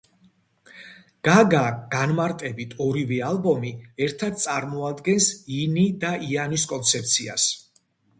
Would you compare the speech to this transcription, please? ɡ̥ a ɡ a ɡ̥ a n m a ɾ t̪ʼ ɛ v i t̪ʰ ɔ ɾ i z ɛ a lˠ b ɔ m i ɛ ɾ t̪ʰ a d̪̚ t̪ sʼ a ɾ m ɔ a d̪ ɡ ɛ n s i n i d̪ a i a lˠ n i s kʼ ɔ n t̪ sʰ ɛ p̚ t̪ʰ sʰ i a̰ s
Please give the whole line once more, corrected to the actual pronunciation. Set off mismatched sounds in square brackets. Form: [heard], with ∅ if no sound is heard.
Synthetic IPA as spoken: ɡ̥ a ɡ a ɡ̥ a n m a ɾ t̪ʼ ɛ [b] i t̪ʰ ɔ ɾ i [v] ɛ a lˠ b ɔ m i ɛ ɾ t̪ʰ a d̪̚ t̪ sʼ a ɾ m ɔ a d̪ ɡ ɛ n s i n i d̪ a i a [∅] n i s kʼ ɔ n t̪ sʰ ɛ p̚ [t̪] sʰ i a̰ s